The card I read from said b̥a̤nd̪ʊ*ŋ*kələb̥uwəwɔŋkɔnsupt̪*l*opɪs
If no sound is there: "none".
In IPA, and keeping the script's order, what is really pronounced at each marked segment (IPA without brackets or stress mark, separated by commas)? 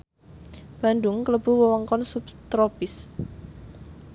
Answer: ŋ, ɾ